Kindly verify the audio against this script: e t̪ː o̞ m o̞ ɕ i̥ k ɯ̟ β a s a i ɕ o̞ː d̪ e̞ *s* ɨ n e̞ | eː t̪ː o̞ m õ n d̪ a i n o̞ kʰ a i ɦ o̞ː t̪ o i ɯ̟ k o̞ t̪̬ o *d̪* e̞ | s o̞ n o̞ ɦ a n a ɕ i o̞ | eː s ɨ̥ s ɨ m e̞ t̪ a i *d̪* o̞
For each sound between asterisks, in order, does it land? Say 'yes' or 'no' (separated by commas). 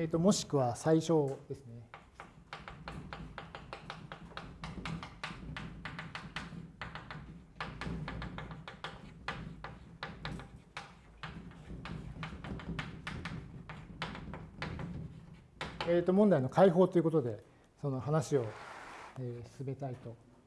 yes, yes, no